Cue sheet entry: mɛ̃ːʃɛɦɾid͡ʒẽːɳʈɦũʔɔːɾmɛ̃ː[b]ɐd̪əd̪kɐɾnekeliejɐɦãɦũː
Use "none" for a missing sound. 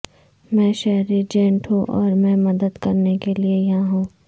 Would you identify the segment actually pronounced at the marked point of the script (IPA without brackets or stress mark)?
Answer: m